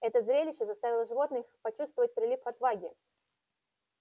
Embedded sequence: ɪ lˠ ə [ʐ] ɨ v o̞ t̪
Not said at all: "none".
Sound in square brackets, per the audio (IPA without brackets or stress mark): ʐ